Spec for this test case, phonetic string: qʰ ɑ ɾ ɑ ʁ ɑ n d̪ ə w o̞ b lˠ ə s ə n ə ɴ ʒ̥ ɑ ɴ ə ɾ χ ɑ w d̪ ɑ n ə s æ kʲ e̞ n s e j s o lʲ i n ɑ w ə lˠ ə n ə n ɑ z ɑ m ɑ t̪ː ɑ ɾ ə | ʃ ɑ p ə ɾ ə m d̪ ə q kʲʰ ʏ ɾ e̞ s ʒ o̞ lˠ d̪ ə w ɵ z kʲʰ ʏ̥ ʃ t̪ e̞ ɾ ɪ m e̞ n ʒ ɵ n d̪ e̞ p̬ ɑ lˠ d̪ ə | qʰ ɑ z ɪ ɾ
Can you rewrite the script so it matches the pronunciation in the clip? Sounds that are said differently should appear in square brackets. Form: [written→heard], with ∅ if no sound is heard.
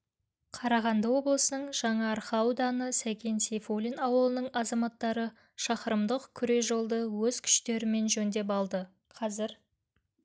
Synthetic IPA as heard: qʰ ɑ ɾ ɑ ʁ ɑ n d̪ ə w o̞ b lˠ ə s ə n ə ɴ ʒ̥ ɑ ɴ [ə→ɑ] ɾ χ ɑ w d̪ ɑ n ə s æ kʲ e̞ n s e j [s→f] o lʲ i n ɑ w ə lˠ ə n ə [n→ɴ] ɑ z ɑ m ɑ t̪ː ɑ ɾ ə | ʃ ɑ [p→q] ə ɾ ə m d̪ ə q kʲʰ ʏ ɾ e̞ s ʒ o̞ lˠ d̪ ə w ɵ z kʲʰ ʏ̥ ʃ t̪ e̞ ɾ ɪ m e̞ n ʒ ɵ n d̪ e̞ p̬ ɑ lˠ d̪ ə | qʰ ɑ z ɪ ɾ